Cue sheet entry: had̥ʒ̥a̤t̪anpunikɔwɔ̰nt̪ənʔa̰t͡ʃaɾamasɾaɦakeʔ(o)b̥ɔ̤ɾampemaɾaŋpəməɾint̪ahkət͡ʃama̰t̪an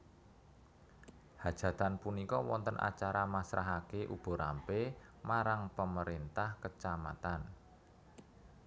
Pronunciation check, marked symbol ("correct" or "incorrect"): incorrect